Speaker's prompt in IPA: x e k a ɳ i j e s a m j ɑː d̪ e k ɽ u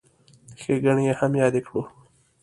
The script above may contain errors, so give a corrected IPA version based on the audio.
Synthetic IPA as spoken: x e ɡ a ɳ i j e h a m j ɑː d̪ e k ɽ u